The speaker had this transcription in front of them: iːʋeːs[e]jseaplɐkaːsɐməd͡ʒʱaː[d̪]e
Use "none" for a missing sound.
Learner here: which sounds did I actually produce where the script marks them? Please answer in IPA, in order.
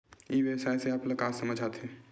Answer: a, t̪

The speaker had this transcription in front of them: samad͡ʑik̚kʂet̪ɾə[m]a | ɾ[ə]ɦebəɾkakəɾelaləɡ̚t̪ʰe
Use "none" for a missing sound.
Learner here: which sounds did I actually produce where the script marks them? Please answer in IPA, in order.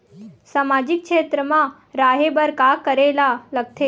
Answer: m, a

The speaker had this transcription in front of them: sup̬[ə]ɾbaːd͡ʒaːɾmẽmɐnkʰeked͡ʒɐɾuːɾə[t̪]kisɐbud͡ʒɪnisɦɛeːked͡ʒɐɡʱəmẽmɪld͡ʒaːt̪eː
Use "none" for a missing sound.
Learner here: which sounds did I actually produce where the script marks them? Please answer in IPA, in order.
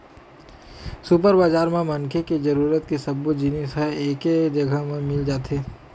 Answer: ə, t̪

